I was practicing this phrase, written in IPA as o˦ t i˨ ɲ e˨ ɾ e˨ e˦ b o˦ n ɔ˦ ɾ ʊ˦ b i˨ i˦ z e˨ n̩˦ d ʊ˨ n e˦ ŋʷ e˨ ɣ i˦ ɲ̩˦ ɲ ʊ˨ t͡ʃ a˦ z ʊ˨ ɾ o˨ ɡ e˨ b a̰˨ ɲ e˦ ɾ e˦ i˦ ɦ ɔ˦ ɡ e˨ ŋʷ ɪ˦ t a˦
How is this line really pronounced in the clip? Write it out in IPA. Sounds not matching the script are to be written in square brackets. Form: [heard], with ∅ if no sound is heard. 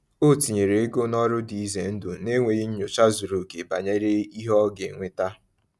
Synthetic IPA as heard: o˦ t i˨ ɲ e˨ ɾ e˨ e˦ [ɡ] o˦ n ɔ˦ ɾ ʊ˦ [d] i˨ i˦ z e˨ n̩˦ d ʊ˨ n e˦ ŋʷ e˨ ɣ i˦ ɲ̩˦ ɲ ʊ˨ t͡ʃ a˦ z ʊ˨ ɾ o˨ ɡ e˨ b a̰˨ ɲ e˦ ɾ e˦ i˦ ɦ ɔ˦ ɡ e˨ ŋʷ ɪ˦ t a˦